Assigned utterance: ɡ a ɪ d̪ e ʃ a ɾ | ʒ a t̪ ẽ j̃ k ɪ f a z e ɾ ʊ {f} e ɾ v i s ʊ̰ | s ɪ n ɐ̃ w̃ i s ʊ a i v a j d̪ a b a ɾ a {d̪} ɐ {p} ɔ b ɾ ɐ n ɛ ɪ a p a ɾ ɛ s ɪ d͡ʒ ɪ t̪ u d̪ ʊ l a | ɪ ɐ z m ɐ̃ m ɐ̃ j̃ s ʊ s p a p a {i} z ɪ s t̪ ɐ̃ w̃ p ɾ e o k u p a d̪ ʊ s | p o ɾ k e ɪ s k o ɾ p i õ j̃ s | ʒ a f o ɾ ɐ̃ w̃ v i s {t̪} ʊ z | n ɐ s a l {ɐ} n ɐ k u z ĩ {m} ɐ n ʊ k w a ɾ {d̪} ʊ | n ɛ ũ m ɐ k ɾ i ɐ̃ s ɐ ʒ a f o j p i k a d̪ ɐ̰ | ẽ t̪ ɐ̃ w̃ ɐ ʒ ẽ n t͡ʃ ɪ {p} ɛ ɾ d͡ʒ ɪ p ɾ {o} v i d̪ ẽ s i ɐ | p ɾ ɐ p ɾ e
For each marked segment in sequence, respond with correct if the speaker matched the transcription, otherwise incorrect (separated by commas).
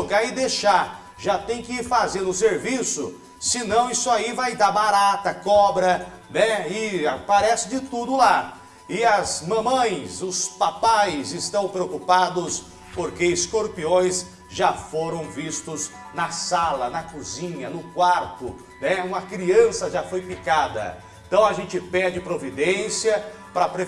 incorrect, incorrect, incorrect, incorrect, correct, correct, incorrect, incorrect, correct, correct